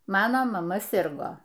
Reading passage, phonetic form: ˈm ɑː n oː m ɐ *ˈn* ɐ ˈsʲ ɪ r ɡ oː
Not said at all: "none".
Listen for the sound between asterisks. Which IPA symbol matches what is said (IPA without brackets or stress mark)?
m